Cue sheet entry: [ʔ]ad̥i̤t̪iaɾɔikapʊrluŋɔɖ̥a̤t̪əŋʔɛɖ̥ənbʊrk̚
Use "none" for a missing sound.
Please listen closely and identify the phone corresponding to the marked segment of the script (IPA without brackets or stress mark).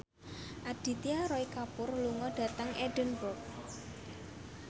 ʔ